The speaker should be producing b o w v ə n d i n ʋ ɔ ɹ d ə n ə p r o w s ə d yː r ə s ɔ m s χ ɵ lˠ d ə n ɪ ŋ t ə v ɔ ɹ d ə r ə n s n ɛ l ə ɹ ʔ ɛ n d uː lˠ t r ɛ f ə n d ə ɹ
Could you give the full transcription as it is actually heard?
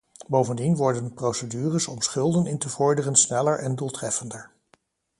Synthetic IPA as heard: b o w v ə n d i n ʋ ɔ ɹ d ə n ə p r o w s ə d yː r ə s ɔ m s χ ɵ lˠ d ə n ɪ n t ə v ɔ ɹ d ə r ə n s n ɛ l ə ɹ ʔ ɛ n d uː lˠ t r ɛ f ə n d ə ɹ